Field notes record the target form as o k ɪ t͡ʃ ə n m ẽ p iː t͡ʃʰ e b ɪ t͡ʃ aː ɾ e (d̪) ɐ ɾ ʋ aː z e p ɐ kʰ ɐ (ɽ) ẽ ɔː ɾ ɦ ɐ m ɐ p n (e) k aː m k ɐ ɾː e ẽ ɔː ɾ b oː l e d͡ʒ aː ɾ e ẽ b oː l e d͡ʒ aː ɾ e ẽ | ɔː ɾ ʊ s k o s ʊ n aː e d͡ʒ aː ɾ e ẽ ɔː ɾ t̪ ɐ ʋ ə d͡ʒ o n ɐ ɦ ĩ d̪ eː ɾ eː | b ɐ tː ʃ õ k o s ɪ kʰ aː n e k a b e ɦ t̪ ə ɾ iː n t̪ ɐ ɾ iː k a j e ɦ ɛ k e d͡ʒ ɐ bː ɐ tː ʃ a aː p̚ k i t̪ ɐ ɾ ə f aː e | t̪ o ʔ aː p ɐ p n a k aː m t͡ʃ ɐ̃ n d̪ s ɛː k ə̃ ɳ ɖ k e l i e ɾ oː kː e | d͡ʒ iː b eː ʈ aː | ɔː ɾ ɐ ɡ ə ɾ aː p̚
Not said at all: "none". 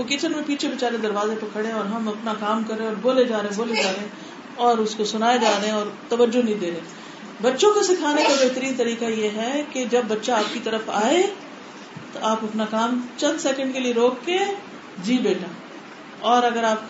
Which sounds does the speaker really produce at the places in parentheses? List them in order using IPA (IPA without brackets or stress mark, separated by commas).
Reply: d̪, ɽ, a